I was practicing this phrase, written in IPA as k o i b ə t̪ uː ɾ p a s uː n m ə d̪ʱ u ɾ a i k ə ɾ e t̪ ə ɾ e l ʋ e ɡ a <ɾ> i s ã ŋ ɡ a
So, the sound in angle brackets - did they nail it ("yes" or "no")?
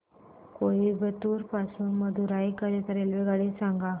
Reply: no